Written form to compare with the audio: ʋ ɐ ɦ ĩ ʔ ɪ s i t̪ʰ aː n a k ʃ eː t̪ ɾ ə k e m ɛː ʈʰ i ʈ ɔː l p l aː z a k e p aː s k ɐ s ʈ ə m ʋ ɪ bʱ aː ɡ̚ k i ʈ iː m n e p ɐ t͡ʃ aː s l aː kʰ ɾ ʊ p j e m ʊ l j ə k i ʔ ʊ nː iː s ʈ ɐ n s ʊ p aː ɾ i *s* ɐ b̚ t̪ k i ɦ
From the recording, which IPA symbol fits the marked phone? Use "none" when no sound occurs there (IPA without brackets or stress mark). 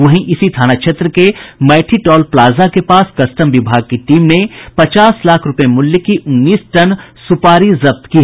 z